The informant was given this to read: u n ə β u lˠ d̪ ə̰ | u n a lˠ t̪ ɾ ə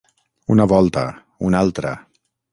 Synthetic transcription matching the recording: u n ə β ɔ lˠ t̪ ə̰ | u n a lˠ t̪ ɾ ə